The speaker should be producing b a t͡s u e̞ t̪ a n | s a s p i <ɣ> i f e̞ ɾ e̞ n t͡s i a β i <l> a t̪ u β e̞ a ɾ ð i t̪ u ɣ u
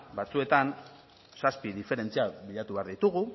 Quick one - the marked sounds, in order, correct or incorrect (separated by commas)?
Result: incorrect, incorrect